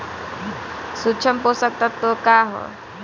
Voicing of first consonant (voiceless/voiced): voiceless